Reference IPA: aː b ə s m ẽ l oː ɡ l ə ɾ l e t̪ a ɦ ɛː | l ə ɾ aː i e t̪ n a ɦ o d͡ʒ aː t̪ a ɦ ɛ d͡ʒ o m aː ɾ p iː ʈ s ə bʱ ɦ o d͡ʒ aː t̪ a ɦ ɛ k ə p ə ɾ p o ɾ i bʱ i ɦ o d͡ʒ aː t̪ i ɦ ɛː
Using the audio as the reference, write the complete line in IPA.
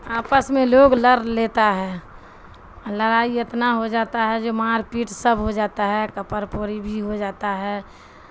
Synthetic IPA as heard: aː p ə s m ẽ l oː ɡ l ə ɾ l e t̪ a ɦ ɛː | l ə ɾ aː i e t̪ n a ɦ o d͡ʒ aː t̪ a ɦ ɛ d͡ʒ o m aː ɾ p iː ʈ s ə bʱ ɦ o d͡ʒ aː t̪ a ɦ ɛ k ə p ə ɾ p o ɾ i bʱ i ɦ o d͡ʒ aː t̪ a ɦ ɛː